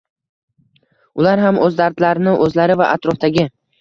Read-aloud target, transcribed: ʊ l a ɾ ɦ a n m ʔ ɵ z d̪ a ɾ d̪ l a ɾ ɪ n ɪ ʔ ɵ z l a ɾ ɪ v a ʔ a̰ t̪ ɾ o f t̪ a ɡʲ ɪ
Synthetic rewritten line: ʊ l a ɾ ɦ a m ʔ ɵ z d̪ a ɾ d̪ l a ɾ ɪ n ɪ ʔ ɵ z l a ɾ ɪ v a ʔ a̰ t̪ ɾ ɒ f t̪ a ɡʲ ɪ